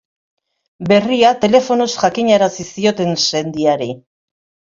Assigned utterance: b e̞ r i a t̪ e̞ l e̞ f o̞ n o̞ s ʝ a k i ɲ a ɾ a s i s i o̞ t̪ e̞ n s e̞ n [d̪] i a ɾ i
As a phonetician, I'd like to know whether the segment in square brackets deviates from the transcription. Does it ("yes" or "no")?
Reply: no